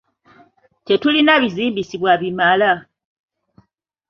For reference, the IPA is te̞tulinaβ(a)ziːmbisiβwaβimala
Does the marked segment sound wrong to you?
yes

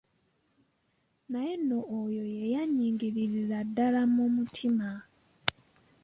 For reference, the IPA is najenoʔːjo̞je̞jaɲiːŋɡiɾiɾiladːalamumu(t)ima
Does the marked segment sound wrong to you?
yes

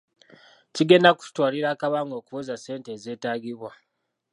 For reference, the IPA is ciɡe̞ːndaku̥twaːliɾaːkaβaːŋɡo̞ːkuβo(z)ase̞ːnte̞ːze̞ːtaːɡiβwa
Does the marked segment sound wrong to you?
no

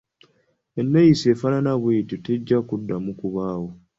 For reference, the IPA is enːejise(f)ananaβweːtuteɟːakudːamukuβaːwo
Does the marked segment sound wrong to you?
no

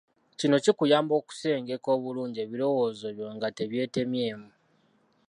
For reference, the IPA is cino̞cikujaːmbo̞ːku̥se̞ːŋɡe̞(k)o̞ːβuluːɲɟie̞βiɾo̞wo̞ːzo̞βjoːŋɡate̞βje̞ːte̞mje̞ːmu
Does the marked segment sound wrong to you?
no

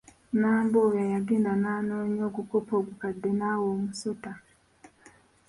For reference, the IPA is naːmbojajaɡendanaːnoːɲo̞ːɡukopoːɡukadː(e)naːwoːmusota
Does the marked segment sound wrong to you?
no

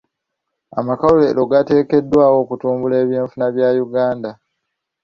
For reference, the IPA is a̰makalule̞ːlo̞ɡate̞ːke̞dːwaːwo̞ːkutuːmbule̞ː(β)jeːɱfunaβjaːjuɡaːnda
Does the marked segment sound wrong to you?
no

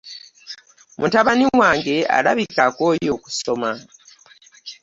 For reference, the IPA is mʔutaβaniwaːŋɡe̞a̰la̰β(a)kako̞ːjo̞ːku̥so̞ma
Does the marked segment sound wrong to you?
yes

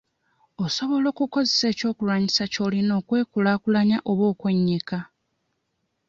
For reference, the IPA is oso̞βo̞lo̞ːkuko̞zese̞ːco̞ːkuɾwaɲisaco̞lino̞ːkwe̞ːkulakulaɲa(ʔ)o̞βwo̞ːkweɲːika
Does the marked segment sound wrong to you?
no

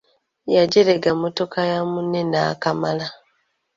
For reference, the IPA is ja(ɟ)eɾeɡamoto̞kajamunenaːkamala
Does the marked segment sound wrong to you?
no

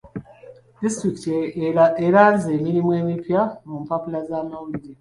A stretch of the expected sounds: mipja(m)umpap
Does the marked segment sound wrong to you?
no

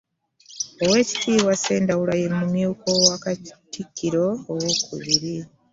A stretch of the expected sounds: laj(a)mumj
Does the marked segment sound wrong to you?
yes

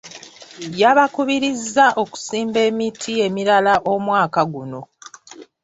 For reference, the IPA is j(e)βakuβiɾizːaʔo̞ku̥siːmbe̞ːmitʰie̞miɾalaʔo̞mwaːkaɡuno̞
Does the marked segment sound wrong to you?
yes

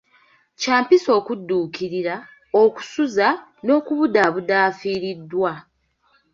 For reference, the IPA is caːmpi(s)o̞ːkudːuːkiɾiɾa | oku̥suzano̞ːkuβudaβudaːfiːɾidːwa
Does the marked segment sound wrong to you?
no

